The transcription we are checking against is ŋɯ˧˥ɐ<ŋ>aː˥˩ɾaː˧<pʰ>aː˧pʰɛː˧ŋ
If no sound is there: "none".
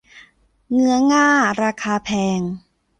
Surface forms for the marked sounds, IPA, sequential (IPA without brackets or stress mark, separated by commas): ŋ, kʰ